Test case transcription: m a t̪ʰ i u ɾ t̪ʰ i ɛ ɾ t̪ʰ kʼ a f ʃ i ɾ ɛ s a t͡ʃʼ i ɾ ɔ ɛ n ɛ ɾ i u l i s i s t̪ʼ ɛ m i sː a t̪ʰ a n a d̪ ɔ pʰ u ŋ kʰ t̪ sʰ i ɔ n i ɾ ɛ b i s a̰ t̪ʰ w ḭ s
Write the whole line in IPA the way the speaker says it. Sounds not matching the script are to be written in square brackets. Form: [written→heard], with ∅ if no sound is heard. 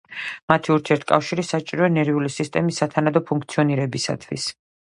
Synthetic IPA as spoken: m a t̪ʰ i u ɾ t̪ʰ i ɛ ɾ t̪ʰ kʼ a f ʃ i ɾ [ɛ→i] s a t͡ʃʼ i ɾ ɔ ɛ n ɛ ɾ i u l i s i s t̪ʼ ɛ m i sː a t̪ʰ a n a d̪ ɔ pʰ u ŋ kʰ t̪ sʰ i ɔ n i ɾ ɛ b i s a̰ t̪ʰ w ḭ s